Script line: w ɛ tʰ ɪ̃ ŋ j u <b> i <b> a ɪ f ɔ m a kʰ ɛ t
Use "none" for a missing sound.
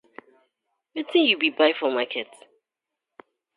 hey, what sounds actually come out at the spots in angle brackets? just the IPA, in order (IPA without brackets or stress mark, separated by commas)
b, b